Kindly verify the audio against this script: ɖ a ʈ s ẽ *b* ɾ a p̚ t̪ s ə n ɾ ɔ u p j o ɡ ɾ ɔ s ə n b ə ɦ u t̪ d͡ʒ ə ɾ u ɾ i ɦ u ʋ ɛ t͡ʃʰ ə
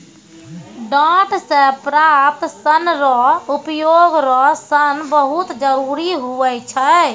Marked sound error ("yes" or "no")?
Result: yes